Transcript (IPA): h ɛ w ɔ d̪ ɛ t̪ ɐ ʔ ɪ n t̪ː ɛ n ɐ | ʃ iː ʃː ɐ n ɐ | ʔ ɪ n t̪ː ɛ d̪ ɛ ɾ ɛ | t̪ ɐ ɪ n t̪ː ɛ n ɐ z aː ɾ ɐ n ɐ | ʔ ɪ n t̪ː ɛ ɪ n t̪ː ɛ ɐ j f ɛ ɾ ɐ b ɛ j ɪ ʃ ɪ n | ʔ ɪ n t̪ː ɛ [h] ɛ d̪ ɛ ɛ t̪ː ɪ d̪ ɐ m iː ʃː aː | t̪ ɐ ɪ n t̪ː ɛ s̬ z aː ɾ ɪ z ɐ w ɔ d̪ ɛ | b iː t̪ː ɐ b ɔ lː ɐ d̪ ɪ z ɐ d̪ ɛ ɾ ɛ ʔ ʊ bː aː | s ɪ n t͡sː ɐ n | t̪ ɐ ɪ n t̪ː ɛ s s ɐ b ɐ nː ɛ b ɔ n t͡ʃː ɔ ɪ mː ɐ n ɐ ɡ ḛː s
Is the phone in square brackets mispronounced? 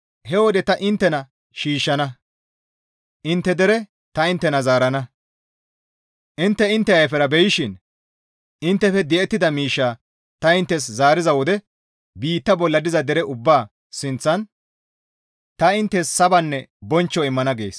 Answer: yes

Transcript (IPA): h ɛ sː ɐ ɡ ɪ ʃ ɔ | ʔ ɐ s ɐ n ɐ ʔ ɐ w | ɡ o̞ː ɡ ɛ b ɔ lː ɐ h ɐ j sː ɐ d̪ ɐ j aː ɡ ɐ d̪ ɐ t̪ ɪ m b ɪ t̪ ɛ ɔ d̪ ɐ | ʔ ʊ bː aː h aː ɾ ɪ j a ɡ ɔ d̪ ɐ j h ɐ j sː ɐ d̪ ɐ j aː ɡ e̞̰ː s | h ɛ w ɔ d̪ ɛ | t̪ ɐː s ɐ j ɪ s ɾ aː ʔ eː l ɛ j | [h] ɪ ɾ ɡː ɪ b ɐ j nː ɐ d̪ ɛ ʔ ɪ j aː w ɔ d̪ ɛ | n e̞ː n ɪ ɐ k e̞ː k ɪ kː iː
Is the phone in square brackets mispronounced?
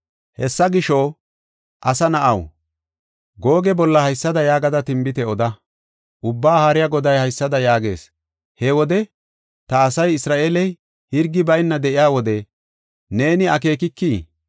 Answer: no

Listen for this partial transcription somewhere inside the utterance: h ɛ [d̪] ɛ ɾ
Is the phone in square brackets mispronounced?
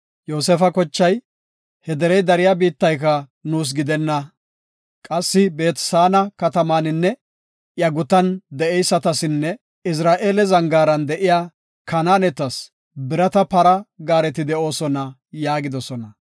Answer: no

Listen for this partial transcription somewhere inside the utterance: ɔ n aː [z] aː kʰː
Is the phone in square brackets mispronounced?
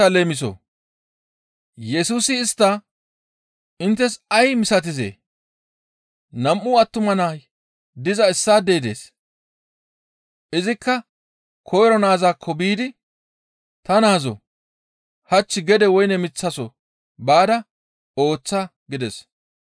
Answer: no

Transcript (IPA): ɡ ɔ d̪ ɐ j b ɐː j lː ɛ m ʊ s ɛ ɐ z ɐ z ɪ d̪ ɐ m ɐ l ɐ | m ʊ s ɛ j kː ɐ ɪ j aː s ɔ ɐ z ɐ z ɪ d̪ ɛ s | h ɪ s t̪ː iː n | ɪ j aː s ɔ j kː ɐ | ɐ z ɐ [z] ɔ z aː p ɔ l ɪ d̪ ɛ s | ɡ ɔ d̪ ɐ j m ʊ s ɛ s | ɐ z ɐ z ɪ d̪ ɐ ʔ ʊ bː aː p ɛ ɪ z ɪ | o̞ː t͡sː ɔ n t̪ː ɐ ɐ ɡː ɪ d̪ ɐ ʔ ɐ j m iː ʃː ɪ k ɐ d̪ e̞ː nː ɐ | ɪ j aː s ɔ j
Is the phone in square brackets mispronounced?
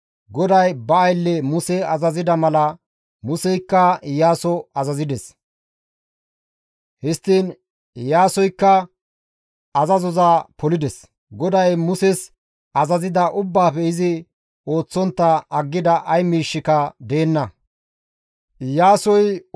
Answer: no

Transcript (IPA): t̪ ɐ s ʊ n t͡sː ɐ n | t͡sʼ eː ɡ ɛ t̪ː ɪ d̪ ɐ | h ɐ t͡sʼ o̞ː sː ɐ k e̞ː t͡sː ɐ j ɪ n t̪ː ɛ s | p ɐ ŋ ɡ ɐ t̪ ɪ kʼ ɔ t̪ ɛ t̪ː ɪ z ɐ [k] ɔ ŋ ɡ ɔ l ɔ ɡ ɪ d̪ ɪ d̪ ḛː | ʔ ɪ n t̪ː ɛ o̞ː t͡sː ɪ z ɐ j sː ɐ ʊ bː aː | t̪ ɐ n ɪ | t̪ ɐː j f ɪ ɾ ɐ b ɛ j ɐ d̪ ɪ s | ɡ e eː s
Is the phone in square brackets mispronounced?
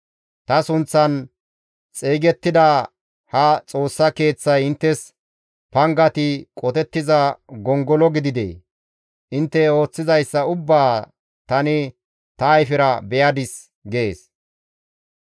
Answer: yes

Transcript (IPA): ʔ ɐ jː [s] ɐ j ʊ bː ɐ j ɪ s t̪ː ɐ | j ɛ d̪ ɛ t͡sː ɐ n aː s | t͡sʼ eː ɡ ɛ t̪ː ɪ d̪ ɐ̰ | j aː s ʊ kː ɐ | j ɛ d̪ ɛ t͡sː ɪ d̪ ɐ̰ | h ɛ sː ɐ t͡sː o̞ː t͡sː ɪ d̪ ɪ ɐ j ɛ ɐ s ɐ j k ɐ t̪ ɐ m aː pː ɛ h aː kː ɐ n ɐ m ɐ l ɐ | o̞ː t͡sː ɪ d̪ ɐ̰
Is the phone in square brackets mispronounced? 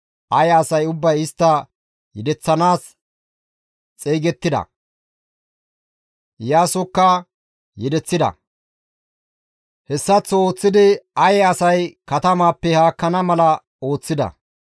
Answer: no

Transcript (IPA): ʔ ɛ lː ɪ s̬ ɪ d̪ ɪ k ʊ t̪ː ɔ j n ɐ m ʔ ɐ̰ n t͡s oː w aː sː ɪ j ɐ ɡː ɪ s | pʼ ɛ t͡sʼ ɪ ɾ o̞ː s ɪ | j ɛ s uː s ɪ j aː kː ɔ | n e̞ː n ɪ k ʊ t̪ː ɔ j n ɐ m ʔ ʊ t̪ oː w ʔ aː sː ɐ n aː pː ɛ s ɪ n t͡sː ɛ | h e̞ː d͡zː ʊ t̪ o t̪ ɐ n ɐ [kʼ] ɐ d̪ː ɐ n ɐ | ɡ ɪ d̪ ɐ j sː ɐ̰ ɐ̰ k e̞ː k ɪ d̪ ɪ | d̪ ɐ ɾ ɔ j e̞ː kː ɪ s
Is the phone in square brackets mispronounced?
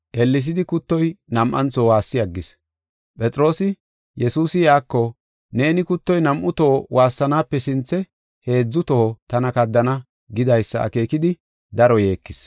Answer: yes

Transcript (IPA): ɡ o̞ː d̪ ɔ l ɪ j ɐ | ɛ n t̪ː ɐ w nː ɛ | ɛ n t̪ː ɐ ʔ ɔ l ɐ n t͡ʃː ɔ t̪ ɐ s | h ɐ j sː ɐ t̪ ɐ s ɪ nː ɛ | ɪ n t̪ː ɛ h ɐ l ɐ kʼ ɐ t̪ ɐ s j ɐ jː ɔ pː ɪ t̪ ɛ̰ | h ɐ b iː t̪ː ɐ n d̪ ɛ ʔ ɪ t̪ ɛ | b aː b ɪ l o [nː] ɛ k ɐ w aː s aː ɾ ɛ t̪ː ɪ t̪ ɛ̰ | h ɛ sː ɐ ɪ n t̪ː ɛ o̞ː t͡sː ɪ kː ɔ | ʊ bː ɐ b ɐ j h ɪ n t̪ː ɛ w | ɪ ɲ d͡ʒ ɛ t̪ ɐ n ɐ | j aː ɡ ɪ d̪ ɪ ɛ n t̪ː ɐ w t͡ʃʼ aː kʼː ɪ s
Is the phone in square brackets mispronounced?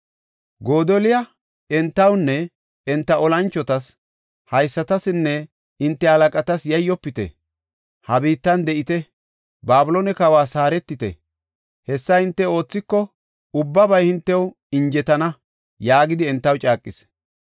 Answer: yes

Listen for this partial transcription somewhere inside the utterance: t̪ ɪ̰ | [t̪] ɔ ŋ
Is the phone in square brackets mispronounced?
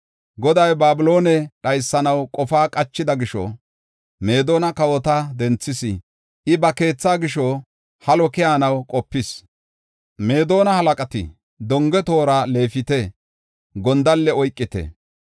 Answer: yes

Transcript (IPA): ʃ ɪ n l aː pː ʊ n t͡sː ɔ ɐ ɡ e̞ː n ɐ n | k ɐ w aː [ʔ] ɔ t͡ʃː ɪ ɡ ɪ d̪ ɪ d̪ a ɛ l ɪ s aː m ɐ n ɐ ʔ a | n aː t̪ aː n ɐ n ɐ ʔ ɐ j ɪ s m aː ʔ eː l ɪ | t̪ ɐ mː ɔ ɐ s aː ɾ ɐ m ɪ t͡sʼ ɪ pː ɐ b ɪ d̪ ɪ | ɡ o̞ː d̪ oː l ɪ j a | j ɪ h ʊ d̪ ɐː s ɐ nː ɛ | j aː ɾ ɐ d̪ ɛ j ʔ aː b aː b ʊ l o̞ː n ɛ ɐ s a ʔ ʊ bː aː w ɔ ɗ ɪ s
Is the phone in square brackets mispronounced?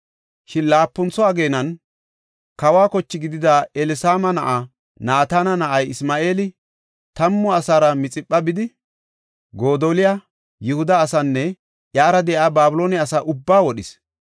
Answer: yes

